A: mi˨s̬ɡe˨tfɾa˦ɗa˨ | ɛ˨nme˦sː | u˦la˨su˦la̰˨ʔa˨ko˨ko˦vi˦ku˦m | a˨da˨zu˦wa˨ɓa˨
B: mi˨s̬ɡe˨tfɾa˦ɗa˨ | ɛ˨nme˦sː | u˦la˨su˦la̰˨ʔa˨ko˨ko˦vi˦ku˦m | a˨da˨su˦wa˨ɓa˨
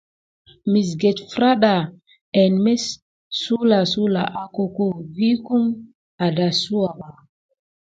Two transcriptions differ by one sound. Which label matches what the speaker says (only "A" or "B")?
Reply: B